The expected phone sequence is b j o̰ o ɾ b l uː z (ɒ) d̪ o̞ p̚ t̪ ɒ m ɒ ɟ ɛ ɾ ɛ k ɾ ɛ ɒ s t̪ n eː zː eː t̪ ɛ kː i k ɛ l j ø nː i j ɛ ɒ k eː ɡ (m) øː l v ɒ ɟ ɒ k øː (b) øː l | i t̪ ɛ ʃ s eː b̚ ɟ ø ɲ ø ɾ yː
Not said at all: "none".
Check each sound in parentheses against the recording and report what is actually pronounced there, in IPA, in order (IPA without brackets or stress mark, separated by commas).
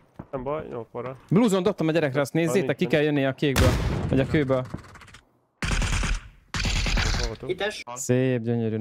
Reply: o, b, b